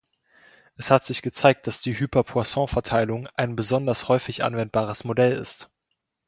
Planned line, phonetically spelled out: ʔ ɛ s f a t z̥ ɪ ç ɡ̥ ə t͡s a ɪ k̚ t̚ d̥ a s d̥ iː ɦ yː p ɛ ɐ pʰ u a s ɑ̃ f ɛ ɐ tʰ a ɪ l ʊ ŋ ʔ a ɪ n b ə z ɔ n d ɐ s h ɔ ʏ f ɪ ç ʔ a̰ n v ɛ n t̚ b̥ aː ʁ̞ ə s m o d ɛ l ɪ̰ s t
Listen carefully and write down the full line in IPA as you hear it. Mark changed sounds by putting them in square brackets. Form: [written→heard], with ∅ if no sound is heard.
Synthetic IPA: ʔ ɛ s [f→h] a t z̥ ɪ ç ɡ̥ ə t͡s a ɪ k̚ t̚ d̥ a s d̥ iː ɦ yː p ɛ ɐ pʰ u a s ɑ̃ f ɛ ɐ tʰ a ɪ l ʊ ŋ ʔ a ɪ n b ə z ɔ n d ɐ s h ɔ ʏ f ɪ ç ʔ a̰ n v ɛ n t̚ b̥ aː ʁ̞ ə s m o d ɛ l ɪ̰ s t